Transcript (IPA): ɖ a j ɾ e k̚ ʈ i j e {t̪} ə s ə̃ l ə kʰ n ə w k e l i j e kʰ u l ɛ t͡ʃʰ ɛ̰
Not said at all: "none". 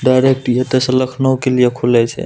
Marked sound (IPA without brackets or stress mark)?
t̪